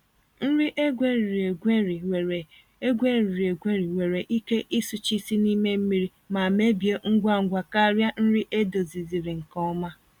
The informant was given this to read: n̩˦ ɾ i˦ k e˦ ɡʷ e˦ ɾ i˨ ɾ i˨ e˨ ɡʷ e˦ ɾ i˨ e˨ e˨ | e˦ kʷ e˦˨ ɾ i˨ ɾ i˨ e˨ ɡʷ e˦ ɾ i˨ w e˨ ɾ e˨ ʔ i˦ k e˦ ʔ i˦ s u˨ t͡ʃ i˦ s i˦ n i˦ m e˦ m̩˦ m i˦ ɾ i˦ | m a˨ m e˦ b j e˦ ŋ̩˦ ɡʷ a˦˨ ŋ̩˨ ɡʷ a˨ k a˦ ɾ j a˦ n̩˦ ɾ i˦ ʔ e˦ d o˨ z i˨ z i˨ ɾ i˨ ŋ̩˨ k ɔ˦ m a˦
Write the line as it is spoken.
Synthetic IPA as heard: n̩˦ ɾ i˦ ʔ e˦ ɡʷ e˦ ɾ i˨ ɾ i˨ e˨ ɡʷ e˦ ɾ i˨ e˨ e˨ | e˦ ɡʷ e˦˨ ɾ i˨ ɾ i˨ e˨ ɡʷ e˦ ɾ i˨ w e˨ ɾ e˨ ʔ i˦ k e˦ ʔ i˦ s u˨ t͡ʃ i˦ s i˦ n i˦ m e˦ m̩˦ m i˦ ɾ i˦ | m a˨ m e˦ b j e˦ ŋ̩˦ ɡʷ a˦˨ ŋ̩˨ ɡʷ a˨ k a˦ ɾ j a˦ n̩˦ ɾ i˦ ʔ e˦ d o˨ z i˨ z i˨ ɾ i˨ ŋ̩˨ k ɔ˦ m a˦